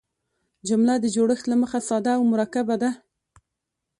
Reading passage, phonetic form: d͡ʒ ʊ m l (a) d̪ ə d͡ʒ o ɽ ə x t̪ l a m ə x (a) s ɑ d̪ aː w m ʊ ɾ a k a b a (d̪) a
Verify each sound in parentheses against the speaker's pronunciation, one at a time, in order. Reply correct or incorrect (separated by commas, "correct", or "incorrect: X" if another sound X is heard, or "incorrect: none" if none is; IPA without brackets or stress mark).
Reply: correct, correct, correct